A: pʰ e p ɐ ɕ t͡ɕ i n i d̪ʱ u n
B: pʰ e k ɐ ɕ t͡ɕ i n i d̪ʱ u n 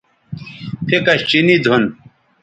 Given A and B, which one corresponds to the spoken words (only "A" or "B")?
B